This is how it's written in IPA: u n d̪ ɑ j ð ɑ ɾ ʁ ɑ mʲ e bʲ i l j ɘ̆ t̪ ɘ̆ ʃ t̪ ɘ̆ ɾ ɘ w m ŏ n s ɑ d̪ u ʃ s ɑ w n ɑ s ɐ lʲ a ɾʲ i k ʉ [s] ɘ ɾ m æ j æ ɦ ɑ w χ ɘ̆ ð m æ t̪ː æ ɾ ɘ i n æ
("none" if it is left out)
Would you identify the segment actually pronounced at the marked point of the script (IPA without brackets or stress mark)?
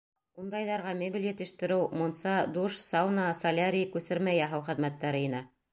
s